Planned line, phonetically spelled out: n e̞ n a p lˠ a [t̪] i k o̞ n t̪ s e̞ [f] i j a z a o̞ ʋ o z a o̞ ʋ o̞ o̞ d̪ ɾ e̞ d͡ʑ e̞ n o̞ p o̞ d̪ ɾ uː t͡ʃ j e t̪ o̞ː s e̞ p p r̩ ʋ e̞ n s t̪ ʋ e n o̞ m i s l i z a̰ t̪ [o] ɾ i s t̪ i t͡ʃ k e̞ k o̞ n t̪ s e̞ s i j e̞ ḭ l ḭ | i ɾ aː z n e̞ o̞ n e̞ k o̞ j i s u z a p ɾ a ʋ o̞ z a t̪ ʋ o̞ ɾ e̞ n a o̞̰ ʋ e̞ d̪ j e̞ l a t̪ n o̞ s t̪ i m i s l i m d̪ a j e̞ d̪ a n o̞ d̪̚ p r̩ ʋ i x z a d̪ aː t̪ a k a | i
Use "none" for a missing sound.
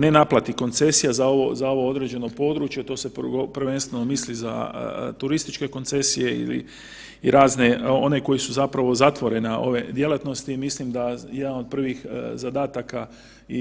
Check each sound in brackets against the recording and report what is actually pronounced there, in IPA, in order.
t̪, s, u

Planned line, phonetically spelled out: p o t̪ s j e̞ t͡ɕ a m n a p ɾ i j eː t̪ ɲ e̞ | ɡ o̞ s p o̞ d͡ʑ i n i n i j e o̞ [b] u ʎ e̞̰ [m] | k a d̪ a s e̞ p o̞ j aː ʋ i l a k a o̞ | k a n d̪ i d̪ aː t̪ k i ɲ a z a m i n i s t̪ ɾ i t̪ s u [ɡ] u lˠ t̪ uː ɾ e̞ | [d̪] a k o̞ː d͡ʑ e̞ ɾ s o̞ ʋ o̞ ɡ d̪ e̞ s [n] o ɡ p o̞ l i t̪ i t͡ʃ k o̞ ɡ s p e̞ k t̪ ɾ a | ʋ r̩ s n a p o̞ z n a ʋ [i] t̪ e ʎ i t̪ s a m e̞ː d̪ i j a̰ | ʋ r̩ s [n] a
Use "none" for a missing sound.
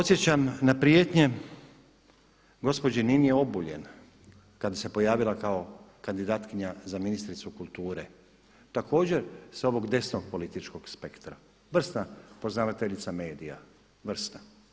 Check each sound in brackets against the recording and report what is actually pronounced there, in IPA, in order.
b, n, k, t̪, n, a, n

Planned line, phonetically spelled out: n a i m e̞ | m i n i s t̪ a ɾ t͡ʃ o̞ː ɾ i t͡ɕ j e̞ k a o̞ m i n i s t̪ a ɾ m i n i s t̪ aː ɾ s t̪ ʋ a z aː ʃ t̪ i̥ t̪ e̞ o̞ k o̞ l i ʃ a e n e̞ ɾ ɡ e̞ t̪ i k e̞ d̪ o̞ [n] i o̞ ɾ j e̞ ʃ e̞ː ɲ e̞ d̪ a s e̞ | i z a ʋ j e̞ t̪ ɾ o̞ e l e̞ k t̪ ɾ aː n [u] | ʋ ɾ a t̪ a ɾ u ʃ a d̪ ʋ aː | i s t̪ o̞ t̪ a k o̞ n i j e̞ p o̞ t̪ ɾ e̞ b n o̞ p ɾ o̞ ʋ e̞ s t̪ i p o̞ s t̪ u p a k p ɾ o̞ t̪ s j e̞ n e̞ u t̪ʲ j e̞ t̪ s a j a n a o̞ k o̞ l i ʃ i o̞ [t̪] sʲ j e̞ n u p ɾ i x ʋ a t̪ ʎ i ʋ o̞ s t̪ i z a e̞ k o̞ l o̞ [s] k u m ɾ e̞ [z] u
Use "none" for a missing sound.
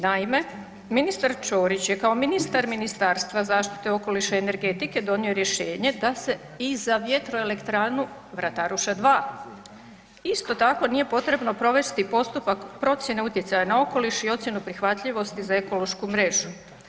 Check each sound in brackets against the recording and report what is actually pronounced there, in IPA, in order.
n, u, t̪, ʃ, ʒ

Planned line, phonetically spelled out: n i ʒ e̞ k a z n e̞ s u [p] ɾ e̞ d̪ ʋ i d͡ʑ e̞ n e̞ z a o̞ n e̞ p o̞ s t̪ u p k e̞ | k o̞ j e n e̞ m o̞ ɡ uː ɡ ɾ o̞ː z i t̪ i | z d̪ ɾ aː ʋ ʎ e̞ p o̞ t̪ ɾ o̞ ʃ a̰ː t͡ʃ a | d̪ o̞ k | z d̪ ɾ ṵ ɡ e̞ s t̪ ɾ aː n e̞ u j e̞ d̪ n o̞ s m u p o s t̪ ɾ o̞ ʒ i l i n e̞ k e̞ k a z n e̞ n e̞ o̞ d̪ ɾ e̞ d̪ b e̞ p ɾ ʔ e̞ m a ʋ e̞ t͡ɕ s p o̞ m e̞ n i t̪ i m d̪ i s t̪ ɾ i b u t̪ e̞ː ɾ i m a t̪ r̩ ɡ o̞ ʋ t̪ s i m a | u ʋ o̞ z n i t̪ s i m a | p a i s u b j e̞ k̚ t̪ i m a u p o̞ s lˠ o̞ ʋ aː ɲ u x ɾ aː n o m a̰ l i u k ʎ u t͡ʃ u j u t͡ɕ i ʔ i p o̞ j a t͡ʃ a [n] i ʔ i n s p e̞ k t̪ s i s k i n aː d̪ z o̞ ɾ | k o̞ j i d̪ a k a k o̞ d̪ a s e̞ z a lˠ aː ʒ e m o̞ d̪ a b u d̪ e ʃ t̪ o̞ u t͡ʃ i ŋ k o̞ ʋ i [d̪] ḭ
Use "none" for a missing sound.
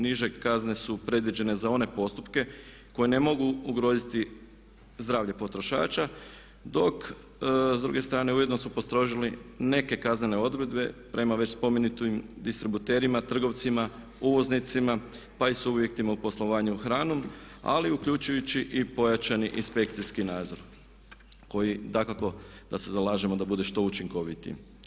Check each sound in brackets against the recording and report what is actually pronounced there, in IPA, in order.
p, n, t̪

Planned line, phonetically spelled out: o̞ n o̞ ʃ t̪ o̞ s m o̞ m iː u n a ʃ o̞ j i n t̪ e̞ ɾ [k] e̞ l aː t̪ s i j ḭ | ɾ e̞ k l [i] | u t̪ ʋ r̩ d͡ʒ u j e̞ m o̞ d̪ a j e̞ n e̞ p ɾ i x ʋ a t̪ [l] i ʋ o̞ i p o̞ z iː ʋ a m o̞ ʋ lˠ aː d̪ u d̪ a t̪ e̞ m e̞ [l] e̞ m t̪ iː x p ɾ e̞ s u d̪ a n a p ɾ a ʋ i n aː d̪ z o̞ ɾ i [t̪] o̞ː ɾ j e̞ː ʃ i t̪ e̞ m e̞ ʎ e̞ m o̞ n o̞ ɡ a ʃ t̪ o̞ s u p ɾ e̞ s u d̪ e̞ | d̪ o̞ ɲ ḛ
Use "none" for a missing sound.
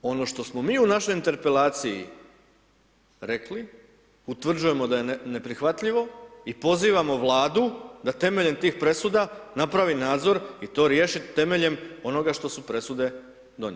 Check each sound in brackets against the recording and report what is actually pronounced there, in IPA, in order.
p, i, ʎ, ʎ, t̪

